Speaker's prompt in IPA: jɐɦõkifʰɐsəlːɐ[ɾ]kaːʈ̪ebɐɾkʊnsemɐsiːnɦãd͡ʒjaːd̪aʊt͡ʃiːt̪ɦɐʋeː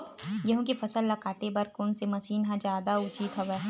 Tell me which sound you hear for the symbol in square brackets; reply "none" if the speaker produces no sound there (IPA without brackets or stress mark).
none